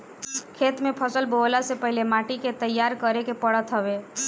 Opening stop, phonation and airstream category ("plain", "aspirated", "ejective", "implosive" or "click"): aspirated